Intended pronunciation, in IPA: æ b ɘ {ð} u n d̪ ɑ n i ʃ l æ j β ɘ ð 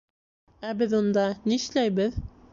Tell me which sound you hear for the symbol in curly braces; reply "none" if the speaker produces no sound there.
ð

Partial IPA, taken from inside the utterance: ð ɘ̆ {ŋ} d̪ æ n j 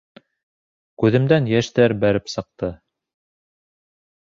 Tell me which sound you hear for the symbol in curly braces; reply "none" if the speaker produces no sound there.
m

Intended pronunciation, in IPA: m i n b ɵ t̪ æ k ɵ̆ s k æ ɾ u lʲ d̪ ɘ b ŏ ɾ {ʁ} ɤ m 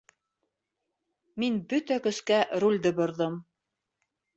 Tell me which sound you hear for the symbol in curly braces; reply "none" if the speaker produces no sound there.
ð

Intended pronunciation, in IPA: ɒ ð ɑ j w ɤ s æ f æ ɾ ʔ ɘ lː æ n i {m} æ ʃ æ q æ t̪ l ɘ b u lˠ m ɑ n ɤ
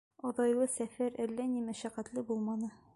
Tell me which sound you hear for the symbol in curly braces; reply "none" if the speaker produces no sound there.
m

